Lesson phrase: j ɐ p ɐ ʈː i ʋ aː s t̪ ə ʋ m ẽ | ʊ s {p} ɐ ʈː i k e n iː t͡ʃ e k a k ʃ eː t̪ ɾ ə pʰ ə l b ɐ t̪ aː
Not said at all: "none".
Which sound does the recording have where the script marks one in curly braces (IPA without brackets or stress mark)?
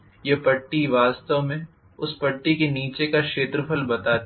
p